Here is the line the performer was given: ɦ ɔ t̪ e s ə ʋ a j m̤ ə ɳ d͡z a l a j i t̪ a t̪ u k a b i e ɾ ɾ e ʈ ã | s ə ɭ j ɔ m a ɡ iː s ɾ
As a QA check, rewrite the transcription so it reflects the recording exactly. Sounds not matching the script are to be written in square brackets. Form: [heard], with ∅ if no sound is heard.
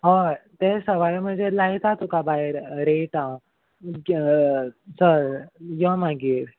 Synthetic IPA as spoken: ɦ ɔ t̪ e s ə ʋ a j m̤ ə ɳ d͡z [e] l a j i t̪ a t̪ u k a b [a] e ɾ ɾ e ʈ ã | s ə [ɾ] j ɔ m a ɡ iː [∅] ɾ